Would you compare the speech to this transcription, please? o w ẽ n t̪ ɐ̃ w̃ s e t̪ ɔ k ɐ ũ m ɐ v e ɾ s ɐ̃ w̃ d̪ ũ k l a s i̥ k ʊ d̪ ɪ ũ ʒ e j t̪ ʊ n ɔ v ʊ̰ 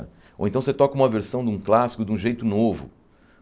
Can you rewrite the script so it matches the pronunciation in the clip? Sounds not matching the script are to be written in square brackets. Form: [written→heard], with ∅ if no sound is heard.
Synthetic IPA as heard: o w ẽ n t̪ ɐ̃ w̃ s e t̪ ɔ k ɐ ũ m ɐ v e ɾ s ɐ̃ w̃ d̪ ũ k l a s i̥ k ʊ d̪ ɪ ũ ʒ e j t̪ ʊ n [ɔ→o] v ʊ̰

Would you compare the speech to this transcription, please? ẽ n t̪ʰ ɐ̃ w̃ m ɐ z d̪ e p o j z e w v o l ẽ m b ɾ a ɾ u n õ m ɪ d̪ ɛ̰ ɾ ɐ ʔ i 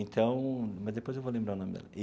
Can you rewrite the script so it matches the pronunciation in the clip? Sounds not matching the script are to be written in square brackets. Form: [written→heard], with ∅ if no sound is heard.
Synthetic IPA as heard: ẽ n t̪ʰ ɐ̃ w̃ m ɐ z d̪ e p o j z e w v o l ẽ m b ɾ a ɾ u n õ m ɪ d̪ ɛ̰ [ɾ→l] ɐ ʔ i

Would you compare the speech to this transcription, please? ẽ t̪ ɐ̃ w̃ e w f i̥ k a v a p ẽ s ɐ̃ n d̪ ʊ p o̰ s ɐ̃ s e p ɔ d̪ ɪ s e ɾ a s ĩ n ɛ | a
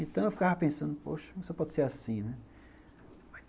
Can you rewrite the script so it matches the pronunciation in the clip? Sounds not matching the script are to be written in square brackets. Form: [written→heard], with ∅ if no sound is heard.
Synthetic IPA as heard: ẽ t̪ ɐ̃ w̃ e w f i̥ k a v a p ẽ s ɐ̃ n d̪ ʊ p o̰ [s→ʃ] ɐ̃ s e p ɔ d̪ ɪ s e ɾ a s ĩ n ɛ | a

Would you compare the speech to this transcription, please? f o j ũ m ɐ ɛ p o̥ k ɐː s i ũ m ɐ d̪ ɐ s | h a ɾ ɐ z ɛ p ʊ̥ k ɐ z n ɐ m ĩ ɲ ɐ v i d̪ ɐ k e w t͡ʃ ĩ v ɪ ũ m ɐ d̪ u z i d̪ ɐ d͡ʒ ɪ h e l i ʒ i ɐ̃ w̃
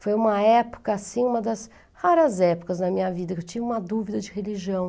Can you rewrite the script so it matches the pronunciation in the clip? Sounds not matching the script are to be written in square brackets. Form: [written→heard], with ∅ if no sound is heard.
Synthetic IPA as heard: f o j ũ m ɐ ɛ p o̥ k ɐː s [i→ĩ] ũ m ɐ d̪ ɐ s | h a ɾ ɐ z ɛ p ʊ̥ k ɐ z n ɐ m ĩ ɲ ɐ v i d̪ ɐ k e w t͡ʃ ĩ v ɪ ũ m ɐ d̪ u [z→v] i d̪ ɐ d͡ʒ ɪ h e l i ʒ i ɐ̃ w̃

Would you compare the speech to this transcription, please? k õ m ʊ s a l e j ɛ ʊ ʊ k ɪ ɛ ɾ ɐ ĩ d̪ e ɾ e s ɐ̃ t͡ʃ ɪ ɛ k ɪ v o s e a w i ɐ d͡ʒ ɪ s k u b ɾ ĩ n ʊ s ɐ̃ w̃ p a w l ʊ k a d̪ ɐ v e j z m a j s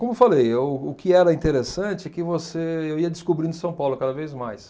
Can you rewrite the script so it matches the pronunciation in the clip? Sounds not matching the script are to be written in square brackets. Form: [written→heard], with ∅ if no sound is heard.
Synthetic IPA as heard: k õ m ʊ [s→f] a l e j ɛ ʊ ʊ k ɪ ɛ ɾ ɐ ĩ [d̪→t̪] e ɾ e s ɐ̃ t͡ʃ ɪ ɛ k ɪ v o s e [a→e] w i ɐ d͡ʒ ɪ s k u b ɾ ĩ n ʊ s ɐ̃ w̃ p a w l ʊ k a d̪ ɐ v e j z m a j s

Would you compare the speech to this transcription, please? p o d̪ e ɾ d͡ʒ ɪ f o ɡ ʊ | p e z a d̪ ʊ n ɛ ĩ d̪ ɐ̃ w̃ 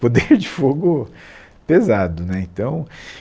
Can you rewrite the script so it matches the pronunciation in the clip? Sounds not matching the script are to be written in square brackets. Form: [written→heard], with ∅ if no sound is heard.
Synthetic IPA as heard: p o d̪ e ɾ d͡ʒ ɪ f o ɡ ʊ | p e z a d̪ ʊ n ɛ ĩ [d̪→t̪] ɐ̃ w̃

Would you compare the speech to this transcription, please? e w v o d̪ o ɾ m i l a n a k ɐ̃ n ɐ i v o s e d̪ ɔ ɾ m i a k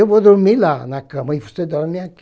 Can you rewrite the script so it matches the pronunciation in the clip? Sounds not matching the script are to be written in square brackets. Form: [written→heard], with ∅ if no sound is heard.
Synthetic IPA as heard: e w v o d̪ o ɾ m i l a n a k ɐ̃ [n→m] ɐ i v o s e d̪ ɔ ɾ m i a k

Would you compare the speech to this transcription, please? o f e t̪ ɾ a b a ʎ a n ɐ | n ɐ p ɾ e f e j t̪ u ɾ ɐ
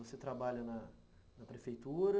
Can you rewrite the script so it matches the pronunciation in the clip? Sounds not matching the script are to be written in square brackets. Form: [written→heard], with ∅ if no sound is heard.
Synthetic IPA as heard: o [f→s] e t̪ ɾ a b a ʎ [a→ɐ] n ɐ | n ɐ p ɾ e f e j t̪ u ɾ ɐ

